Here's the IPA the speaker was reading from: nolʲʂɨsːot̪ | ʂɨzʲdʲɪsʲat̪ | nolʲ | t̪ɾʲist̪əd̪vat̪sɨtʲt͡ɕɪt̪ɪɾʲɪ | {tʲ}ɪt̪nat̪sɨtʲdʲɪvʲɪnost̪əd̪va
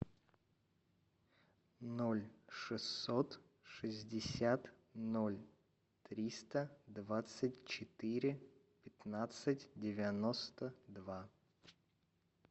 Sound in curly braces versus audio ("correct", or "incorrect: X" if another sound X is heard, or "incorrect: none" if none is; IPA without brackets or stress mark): incorrect: pʲ